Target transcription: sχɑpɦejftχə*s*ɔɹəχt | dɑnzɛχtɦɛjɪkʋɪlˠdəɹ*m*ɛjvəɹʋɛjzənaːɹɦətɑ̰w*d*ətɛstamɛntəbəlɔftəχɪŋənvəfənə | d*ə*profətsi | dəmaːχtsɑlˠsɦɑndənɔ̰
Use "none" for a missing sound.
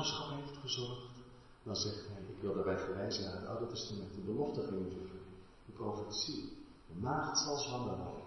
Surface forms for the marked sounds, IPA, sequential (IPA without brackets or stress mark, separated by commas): z, b, d, ə